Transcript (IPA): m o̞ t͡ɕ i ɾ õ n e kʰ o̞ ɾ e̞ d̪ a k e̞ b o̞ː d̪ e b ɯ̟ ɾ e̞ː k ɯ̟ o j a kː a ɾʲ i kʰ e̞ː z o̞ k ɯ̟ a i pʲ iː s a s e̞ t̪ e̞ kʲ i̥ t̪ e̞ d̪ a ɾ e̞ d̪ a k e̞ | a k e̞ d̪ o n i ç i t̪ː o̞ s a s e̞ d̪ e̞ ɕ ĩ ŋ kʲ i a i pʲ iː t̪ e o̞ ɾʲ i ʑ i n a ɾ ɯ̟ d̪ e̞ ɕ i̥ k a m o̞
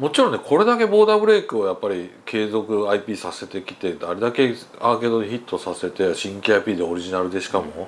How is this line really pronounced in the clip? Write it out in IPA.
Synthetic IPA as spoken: m o̞ t͡ɕ i ɾ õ n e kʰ o̞ ɾ e̞ d̪ a k e̞ b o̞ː d̪ a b ɯ̟ ɾ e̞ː k ɯ̟ o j a pː a ɾʲ i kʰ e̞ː z o̞ k ɯ̟ a i pʲ iː s a s e̞ t̪ e̞ kʲ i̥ t̪ e̞ d̪ a ɾ e̞ d̪ a k e̞ | a k e̞ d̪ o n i ç i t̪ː o̞ s a s e̞ t̪ e̞ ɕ ĩ ŋ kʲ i a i pʲ iː d̪ e o̞ ɾʲ i ʑ i n a ɾ ɯ̟ d̪ e̞ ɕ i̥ k a m o̞